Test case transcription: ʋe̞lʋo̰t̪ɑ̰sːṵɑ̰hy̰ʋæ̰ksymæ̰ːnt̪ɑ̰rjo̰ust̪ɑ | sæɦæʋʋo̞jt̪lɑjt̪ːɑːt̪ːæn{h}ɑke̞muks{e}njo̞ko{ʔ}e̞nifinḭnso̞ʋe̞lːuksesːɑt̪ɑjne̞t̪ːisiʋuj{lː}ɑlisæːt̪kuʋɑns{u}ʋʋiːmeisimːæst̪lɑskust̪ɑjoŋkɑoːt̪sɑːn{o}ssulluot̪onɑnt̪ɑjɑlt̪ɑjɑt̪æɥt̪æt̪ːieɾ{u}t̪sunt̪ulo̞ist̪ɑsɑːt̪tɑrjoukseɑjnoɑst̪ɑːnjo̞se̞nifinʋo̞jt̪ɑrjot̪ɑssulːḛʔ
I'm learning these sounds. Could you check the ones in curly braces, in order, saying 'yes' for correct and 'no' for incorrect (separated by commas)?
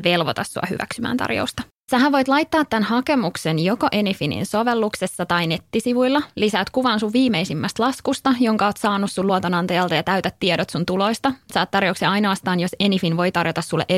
yes, yes, yes, yes, yes, no, no